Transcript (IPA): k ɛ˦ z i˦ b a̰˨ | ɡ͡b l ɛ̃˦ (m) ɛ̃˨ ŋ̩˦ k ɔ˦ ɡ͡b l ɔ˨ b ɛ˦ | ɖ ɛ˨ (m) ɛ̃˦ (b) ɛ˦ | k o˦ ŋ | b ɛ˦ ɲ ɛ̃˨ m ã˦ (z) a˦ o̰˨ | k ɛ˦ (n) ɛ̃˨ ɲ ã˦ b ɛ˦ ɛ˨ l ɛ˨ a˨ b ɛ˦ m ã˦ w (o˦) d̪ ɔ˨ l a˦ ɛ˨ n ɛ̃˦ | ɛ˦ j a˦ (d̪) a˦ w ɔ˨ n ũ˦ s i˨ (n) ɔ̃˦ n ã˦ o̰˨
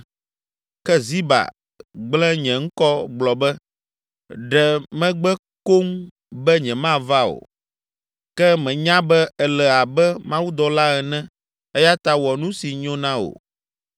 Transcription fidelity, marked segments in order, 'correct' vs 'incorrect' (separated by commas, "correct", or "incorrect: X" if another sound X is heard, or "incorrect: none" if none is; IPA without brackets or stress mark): incorrect: ɲ, correct, incorrect: ɡ͡b, incorrect: v, incorrect: m, incorrect: u˦, incorrect: t̪, incorrect: ɲ